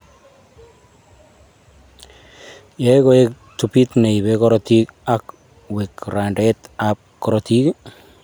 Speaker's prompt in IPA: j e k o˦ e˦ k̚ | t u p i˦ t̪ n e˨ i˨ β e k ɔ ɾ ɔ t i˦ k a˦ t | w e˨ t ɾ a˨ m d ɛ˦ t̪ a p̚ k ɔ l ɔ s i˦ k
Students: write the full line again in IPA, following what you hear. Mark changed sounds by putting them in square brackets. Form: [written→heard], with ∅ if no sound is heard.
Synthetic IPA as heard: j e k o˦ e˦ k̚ | t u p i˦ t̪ n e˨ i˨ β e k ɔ ɾ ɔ t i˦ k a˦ [t→k] | w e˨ [t→k] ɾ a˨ [m→n] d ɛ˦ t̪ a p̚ k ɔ [l→ɾ] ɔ [s→t] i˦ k

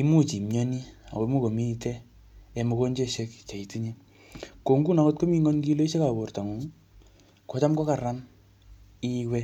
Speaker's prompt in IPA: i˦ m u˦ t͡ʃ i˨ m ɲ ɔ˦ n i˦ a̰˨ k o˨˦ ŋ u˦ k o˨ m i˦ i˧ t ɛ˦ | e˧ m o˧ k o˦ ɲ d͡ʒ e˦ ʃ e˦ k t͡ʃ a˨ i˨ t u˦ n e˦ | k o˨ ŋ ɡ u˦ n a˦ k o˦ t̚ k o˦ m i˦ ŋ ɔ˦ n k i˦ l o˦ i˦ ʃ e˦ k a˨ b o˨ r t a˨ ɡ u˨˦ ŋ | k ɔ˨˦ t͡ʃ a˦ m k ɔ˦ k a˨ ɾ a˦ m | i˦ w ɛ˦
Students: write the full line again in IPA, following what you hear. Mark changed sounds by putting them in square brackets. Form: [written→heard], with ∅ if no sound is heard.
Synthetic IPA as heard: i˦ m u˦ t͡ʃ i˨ m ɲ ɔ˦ n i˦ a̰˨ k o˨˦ [ŋ→m] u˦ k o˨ m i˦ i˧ t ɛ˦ | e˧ m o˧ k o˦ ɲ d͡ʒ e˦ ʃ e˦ k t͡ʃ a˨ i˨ t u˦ [n→ɲ] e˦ | k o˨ ŋ ɡ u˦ n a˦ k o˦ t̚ k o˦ m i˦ ŋ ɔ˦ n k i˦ l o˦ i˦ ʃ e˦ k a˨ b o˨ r t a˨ [ɡ→ŋ] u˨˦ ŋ | k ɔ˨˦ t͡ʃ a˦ m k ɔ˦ k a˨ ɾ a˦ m | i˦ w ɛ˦

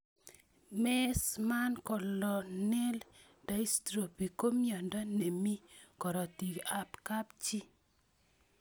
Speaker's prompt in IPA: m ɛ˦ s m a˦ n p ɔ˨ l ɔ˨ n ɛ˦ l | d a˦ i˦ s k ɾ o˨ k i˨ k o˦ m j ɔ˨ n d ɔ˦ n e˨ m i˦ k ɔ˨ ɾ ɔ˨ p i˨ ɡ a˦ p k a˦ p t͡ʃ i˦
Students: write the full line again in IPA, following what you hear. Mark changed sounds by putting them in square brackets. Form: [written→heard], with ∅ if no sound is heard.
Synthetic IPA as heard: m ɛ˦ s m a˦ n [p→k] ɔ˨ l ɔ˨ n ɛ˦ l | d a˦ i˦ s [k→t] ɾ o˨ [k→p] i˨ k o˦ m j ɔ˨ n d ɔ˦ n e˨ m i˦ k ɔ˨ ɾ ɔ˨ [p→t] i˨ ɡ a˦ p k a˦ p t͡ʃ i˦

